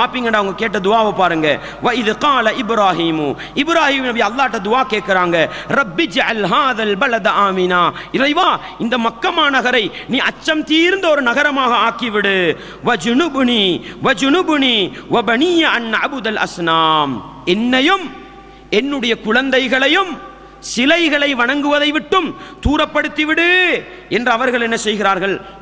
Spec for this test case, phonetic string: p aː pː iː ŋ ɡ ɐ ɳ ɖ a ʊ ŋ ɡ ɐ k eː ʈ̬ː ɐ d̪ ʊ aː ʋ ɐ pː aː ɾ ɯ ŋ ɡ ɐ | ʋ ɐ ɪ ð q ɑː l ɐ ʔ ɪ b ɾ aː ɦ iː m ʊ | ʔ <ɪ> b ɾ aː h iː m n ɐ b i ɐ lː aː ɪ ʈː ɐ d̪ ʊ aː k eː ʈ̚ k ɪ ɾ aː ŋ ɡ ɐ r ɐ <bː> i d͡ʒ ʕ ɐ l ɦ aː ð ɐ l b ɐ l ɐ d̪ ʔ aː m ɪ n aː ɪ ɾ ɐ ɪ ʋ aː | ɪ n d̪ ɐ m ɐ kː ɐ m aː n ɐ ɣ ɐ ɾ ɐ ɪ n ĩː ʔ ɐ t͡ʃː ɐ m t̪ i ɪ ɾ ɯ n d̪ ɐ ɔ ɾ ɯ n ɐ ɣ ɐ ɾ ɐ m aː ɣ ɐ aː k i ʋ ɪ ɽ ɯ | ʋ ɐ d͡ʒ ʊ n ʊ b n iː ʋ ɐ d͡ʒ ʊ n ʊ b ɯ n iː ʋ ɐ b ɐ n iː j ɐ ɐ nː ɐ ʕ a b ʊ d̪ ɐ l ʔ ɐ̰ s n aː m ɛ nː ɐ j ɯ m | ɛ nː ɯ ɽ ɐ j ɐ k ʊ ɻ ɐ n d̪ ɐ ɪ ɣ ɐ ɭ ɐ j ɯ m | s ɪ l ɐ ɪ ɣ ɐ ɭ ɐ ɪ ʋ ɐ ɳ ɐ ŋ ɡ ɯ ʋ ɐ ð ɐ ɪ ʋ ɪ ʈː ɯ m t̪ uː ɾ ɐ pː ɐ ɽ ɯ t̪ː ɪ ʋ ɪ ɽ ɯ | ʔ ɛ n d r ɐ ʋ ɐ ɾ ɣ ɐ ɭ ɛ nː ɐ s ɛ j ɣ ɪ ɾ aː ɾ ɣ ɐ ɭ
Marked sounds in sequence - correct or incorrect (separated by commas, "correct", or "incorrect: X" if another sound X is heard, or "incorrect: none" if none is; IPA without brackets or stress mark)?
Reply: correct, correct